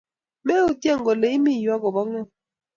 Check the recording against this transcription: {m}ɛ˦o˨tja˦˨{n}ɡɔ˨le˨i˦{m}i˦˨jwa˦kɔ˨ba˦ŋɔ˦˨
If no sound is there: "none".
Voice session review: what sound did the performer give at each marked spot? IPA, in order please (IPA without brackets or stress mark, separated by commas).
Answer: m, ŋ, m